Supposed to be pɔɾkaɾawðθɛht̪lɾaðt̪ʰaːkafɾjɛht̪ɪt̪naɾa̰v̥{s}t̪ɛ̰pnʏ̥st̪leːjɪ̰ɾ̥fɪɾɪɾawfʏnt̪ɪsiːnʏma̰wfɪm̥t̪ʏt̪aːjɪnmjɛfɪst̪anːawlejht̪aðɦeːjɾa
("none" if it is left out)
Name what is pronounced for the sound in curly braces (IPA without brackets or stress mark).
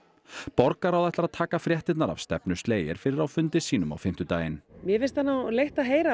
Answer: s